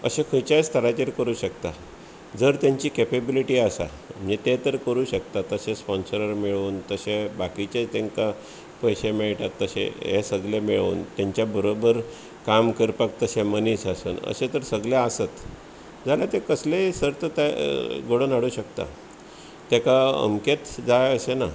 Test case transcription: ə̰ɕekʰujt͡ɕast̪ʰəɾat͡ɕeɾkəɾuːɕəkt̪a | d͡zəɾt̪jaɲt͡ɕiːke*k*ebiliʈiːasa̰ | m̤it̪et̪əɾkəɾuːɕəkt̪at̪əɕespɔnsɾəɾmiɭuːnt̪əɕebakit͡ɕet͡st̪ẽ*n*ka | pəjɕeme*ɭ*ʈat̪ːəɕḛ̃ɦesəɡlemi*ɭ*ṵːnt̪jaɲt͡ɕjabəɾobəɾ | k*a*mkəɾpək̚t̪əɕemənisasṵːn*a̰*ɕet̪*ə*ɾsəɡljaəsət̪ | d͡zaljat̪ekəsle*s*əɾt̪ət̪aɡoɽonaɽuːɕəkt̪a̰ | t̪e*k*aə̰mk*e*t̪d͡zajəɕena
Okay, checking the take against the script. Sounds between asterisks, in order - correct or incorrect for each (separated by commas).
incorrect, incorrect, correct, correct, correct, incorrect, correct, correct, correct, correct